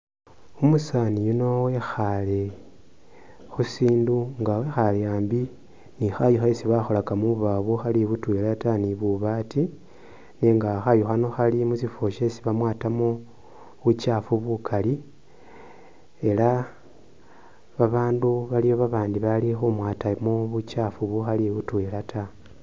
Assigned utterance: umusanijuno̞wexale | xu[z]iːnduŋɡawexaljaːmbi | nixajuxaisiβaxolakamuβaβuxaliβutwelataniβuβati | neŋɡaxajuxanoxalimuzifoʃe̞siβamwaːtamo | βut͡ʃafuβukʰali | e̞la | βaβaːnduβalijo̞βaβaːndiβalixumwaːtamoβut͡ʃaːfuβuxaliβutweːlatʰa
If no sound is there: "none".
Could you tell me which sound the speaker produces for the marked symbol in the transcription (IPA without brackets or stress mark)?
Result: s